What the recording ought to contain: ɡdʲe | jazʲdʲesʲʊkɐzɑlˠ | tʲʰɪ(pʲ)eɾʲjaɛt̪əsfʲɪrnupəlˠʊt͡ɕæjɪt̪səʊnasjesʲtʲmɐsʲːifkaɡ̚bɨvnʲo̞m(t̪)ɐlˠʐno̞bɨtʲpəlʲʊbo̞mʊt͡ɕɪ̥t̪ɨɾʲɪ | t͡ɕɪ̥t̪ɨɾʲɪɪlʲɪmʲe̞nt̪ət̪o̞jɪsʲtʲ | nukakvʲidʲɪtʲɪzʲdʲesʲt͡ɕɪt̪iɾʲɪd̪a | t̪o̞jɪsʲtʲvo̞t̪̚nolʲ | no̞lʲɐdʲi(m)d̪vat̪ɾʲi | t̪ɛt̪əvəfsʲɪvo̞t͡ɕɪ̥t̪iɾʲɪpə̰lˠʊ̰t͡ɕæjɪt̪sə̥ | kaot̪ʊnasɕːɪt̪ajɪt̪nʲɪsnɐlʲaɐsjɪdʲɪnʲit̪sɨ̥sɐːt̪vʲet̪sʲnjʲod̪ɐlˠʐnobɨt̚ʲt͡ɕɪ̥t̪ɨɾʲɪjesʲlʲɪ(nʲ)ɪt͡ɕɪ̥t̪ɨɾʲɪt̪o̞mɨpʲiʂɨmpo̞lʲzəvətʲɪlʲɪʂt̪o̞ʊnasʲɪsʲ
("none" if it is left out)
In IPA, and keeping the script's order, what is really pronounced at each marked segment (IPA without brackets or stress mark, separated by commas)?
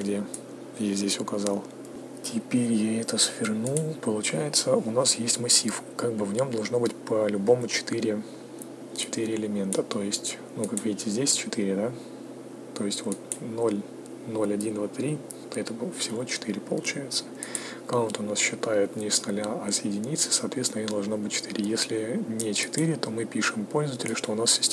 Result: pʲ, d̪, n, nʲ